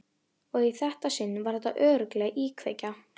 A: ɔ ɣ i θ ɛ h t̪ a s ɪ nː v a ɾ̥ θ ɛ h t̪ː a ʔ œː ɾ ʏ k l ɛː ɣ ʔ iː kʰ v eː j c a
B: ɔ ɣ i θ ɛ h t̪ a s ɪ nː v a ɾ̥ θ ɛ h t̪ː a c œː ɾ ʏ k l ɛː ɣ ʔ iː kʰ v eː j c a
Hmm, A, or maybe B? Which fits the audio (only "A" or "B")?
A